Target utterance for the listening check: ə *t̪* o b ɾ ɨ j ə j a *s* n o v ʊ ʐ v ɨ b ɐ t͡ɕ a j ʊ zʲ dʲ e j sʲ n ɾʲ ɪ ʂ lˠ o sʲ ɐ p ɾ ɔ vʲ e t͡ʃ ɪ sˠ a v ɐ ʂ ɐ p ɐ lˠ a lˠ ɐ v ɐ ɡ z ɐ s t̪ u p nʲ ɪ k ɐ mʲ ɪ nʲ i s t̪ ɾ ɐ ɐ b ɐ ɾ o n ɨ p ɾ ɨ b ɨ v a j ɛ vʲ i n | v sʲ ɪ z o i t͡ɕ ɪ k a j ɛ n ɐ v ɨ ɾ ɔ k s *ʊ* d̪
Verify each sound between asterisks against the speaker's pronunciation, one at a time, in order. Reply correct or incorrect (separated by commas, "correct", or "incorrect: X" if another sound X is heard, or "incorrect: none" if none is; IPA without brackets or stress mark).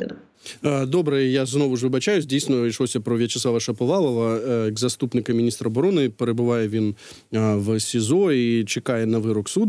incorrect: d̪, incorrect: z, incorrect: u